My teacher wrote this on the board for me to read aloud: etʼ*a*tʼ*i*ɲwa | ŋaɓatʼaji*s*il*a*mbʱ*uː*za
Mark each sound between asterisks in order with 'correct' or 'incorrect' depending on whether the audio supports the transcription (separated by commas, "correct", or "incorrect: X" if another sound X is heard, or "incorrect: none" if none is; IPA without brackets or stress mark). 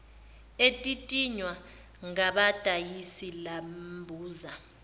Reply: incorrect: i, correct, correct, correct, correct